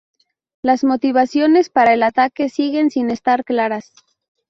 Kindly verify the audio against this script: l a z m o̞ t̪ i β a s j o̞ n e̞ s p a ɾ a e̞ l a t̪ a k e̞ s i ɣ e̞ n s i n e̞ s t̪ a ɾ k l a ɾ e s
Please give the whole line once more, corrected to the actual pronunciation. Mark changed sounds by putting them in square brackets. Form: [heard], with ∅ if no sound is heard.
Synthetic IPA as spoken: l a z m o̞ t̪ i β a s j o̞ n e̞ s p a ɾ a e̞ l a t̪ a k e̞ s i ɣ e̞ n s i n e̞ s t̪ a ɾ k l a ɾ [a] s

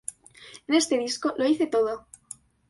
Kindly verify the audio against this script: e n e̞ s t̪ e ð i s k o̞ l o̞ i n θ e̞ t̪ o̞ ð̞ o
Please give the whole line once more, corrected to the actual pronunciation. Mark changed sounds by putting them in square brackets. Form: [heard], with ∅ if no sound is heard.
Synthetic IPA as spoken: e n e̞ s t̪ e ð i s k o̞ l o̞ i [∅] θ e̞ t̪ o̞ ð̞ o

